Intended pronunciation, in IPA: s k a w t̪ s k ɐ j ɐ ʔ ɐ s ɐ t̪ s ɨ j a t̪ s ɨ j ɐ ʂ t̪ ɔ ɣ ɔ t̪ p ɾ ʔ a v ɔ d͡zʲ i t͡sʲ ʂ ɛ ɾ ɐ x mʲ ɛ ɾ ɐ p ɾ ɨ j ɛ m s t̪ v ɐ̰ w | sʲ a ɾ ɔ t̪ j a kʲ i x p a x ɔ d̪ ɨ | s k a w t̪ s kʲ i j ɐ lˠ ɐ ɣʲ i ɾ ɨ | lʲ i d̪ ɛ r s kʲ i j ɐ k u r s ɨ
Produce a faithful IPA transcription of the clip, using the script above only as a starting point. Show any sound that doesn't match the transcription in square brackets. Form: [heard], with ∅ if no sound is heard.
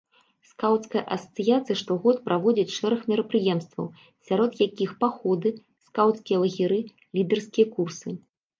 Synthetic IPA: s k a w t̪ s k ɐ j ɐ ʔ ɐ s ɐ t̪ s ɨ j a t̪ s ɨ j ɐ ʂ t̪ ɔ ɣ ɔ t̪ p ɾ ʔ a v ɔ d͡zʲ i t͡sʲ ʂ ɛ ɾ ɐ x mʲ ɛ ɾ ɐ p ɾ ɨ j ɛ m s t̪ v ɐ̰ w | sʲ a ɾ ɔ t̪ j a kʲ i x p a x ɔ d̪ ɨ | s k a w t̪ s kʲ i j ɐ lˠ ɐ ɣʲ i ɾ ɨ | lʲ i d̪ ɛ r s kʲ i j ɐ k u r s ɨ